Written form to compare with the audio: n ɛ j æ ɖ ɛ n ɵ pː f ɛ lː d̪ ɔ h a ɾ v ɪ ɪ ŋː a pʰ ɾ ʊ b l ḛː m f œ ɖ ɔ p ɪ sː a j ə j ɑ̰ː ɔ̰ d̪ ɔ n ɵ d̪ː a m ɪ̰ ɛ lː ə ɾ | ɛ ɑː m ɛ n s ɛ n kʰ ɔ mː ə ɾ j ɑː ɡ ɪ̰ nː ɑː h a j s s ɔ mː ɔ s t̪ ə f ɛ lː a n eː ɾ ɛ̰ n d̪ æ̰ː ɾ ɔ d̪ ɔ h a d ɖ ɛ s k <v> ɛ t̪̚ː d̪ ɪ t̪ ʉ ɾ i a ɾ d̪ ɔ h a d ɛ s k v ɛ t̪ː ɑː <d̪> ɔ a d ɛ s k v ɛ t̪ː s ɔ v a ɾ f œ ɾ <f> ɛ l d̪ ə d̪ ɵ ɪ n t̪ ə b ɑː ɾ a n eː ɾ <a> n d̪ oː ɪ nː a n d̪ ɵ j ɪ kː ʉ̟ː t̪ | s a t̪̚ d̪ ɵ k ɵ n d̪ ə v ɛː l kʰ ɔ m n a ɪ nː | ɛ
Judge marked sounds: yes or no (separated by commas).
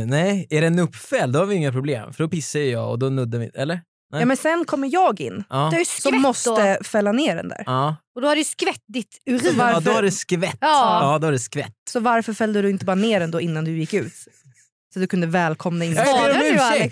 yes, yes, yes, no